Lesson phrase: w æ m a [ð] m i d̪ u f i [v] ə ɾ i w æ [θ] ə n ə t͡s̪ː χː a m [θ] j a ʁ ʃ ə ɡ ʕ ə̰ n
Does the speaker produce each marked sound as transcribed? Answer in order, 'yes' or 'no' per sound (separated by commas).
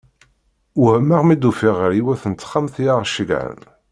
no, no, yes, yes